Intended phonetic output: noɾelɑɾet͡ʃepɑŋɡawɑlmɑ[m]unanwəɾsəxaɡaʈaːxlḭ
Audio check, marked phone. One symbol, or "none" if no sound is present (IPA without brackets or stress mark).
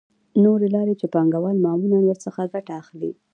m